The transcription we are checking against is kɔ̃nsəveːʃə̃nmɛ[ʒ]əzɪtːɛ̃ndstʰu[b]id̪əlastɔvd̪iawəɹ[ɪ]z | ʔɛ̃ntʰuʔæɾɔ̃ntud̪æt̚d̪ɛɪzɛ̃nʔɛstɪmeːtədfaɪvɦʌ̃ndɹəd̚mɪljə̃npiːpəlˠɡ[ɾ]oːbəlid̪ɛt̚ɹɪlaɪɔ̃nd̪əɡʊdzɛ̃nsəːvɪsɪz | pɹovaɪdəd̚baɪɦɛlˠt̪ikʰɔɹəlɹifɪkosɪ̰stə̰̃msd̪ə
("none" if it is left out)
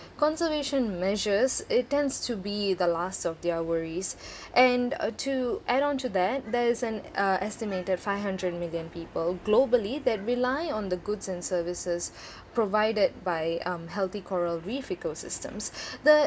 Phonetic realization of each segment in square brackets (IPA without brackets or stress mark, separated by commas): ʒ, b, i, l